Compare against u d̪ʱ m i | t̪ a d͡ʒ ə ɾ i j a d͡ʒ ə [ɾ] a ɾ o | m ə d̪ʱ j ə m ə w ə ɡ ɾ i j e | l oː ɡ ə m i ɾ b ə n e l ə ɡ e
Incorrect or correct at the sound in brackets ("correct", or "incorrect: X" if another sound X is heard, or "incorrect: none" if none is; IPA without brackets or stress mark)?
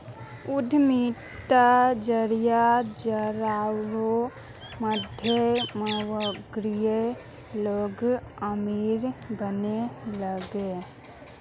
correct